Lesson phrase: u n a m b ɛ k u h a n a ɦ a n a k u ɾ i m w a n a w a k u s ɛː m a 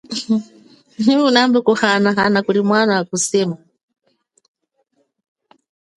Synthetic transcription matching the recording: u n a m b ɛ k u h a n a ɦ a n a k u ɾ i m w a n a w a k u s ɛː m a

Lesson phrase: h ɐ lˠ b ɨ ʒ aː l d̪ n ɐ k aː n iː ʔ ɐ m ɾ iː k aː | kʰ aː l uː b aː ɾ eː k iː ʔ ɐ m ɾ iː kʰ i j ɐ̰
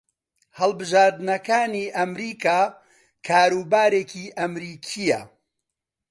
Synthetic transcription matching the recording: h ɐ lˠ b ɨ ʒ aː ɾ d̪ n ɐ k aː n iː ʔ ɐ m ɾ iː k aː | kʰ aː ɾ uː b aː ɾ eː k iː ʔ ɐ m ɾ iː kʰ i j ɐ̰

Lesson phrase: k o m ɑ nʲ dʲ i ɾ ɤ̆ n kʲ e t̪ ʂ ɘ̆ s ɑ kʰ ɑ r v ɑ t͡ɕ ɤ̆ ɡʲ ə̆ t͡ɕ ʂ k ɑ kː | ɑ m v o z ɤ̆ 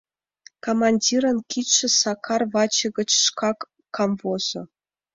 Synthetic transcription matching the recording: k o m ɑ nʲ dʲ i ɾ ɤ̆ n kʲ i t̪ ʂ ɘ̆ s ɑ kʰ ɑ r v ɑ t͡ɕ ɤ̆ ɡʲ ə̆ t͡ɕ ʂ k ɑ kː | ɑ m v o z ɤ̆

